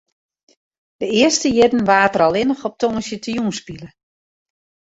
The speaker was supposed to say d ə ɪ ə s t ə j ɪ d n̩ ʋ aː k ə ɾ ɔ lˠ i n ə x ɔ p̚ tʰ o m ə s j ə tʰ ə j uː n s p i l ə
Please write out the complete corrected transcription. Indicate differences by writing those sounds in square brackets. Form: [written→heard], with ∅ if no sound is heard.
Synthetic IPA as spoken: d ə ɪ ə s t ə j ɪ d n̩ ʋ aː [k→t] ə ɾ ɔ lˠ [i→ɪ] n ə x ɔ p̚ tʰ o [m→ŋ] ə s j ə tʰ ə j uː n s p i l ə

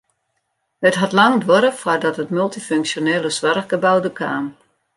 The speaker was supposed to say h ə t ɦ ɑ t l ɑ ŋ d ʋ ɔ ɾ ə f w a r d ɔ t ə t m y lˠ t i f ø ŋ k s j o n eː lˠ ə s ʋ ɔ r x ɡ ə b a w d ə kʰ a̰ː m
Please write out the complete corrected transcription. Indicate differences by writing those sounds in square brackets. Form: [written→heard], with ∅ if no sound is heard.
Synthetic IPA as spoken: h ə t ɦ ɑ t l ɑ ŋ d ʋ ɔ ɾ ə f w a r d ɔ t ə t m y lˠ t i f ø ŋ k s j o n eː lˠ ə s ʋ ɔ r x ɡ ə b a w d ə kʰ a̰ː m

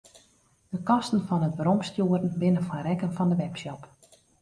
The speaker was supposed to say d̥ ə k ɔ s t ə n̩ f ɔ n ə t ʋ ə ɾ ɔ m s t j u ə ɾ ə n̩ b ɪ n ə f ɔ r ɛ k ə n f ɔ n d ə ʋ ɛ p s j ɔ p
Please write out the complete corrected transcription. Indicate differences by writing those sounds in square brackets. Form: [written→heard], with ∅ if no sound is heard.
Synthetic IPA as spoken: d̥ ə k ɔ s t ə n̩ f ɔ n ə t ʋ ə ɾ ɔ m s t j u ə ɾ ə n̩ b ɪ n ə f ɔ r ɛ k ə n f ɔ n d ə ʋ ɛ p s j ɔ p

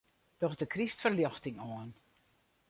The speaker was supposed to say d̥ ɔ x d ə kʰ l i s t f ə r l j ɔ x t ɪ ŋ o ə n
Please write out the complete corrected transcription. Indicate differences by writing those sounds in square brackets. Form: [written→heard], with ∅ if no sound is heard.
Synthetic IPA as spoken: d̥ ɔ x d ə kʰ [l→r] i s t f ə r l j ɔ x t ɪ ŋ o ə n

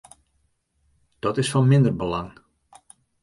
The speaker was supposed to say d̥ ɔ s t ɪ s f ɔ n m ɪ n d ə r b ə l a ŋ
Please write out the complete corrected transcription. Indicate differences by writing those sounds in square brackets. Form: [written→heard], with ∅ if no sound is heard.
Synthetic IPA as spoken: d̥ ɔ [s→∅] t ɪ s f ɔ n m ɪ n d ə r b ə l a ŋ

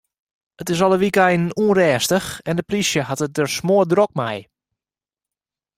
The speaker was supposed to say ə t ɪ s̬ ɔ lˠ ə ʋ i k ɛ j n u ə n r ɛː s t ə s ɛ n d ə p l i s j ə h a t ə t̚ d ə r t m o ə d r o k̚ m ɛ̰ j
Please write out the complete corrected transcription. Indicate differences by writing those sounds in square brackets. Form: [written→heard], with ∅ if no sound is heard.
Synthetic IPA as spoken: ə t ɪ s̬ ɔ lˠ ə ʋ i k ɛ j n u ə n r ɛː s t ə [s→x] ɛ n d ə p l i s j ə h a t ə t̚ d ə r [t→s] m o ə d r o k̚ m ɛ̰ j

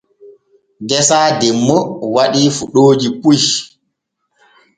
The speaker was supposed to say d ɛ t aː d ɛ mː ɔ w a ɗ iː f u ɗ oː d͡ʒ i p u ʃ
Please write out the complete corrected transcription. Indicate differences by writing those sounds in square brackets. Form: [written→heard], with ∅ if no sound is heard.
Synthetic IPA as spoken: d ɛ [t→s] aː d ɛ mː ɔ w a ɗ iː f u ɗ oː d͡ʒ i p u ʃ

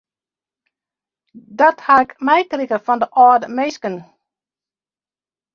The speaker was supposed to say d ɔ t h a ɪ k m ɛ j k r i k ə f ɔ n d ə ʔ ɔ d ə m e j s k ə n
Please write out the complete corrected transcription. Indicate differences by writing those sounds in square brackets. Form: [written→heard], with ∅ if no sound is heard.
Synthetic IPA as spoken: d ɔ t h a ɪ k m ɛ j k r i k ə f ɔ n d ə ʔ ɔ d ə m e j s k ə n

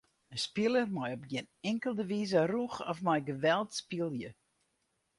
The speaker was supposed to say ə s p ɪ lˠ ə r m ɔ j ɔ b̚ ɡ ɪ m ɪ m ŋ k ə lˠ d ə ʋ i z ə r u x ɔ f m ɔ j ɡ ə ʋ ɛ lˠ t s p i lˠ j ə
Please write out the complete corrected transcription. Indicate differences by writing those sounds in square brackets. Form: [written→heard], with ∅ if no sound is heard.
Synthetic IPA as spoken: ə s p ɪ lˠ ə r m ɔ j ɔ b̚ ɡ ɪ [m→n] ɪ [m→∅] ŋ k ə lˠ d ə ʋ i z ə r u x ɔ f m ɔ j ɡ ə ʋ ɛ lˠ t s p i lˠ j ə

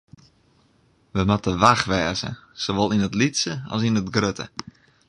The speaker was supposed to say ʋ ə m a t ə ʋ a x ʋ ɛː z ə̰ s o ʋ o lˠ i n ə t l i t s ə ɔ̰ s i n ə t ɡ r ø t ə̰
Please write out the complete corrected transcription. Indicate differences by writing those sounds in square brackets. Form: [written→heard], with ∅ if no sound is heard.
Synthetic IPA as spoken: ʋ ə m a t ə ʋ a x ʋ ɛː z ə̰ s o ʋ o lˠ i n ə t l i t s ə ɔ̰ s i n ə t ɡ r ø t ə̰

